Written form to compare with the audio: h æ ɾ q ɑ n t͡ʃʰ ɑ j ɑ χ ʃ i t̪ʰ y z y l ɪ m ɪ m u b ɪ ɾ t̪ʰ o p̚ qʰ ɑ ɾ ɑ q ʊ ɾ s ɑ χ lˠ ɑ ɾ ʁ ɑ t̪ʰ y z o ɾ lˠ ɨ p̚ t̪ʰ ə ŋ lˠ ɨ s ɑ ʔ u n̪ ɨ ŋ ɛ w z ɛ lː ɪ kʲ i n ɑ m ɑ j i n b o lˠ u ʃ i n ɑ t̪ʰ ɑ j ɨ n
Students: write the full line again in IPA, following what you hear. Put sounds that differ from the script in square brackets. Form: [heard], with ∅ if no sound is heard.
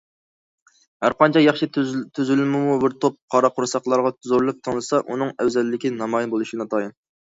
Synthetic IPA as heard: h æ ɾ q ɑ n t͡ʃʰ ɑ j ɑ χ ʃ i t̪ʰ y z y l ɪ m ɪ m u b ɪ ɾ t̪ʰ o p̚ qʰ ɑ ɾ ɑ q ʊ ɾ s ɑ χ lˠ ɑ ɾ ʁ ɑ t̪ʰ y z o ɾ lˠ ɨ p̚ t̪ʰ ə ŋ lˠ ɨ s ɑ ʔ u n̪ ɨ ŋ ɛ w z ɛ lː ɪ kʲ i n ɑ m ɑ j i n b o lˠ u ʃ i n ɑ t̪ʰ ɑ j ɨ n